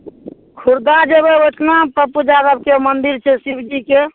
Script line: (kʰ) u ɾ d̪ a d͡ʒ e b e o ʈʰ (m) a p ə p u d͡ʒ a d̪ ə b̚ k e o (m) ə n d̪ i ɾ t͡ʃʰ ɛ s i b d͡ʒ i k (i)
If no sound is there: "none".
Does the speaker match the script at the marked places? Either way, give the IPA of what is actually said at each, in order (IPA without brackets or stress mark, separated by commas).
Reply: kʰ, n, m, e